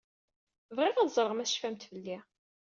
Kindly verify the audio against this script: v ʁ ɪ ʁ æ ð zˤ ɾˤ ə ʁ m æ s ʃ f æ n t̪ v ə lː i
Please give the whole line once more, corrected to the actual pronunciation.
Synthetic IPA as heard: v ʁ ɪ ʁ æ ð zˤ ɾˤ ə ʁ m æ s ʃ f æ m t̪ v ə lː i